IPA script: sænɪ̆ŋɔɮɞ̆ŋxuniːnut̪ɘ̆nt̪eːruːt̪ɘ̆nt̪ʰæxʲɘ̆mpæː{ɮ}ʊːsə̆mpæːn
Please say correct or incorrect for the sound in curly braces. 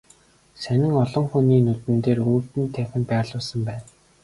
correct